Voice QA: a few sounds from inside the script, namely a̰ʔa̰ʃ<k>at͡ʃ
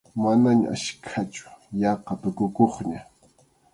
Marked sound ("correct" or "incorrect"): incorrect